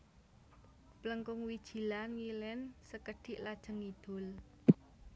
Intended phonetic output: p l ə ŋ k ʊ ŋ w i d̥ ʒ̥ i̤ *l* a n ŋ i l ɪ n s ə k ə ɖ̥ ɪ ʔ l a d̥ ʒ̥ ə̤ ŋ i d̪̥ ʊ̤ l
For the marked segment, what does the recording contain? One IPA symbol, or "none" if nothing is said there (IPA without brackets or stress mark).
l